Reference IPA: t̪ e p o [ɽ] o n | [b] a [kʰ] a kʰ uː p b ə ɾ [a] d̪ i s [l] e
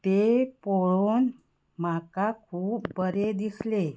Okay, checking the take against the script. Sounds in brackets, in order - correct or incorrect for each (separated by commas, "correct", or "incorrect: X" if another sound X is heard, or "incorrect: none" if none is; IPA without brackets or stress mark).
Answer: incorrect: ɭ, incorrect: m, incorrect: k, incorrect: e, correct